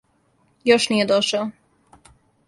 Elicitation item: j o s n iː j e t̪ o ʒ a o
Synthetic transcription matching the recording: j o ʃ n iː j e d̪ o ʃ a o